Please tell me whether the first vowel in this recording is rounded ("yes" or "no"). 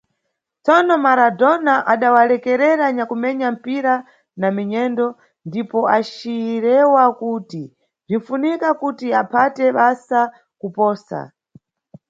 yes